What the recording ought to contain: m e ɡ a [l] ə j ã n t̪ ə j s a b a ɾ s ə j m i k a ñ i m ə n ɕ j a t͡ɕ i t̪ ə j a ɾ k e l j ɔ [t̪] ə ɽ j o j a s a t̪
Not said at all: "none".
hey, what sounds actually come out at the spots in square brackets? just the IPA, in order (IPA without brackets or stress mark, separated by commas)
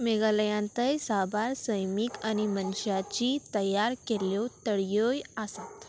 l, t̪